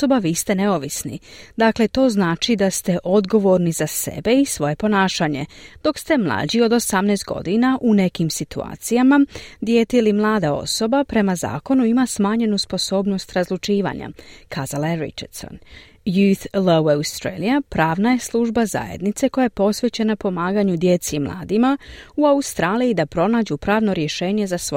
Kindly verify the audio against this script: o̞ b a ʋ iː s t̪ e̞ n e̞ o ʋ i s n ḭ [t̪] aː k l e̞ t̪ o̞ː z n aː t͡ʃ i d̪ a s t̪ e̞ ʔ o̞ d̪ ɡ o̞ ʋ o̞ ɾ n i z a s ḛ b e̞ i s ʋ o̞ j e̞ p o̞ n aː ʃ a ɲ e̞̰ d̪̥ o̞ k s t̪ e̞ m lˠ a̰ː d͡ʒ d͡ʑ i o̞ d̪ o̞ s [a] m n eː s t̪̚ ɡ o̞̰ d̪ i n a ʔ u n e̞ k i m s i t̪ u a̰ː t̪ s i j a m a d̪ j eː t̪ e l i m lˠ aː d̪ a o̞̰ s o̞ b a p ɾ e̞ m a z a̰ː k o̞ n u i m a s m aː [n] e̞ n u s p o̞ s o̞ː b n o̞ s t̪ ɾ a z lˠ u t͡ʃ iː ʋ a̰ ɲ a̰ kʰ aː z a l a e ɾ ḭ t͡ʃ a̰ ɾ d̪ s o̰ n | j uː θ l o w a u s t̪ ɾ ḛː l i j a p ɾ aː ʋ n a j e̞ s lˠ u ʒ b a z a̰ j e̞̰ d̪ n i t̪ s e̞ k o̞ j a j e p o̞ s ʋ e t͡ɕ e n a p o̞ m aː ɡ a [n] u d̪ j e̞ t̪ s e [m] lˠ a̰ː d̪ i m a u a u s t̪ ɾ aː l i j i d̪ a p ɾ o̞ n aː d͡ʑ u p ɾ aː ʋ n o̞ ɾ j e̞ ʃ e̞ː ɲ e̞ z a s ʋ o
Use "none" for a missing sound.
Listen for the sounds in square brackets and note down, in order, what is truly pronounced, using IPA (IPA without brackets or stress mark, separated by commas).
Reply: d̪, a, ɲ, ɲ, m